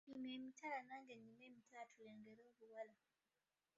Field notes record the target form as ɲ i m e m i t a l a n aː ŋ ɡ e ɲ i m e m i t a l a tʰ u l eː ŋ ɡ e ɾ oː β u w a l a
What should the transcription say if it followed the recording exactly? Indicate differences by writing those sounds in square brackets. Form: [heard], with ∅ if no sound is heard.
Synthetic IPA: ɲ i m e m i t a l a n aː ŋ ɡ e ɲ i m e m i t a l a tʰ u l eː ŋ ɡ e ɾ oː β u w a l a